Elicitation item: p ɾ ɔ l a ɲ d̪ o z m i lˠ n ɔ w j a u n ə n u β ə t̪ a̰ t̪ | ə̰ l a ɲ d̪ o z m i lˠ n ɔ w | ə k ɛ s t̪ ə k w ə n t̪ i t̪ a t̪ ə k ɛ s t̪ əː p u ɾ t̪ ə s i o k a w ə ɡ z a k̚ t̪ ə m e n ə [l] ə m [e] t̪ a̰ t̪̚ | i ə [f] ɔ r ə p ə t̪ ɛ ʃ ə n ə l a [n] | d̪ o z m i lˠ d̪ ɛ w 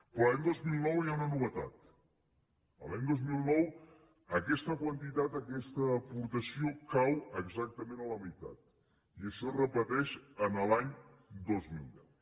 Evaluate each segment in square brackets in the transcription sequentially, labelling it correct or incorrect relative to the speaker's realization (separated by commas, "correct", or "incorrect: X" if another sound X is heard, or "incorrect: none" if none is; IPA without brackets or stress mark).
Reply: correct, incorrect: i, incorrect: ʃ, incorrect: ɲ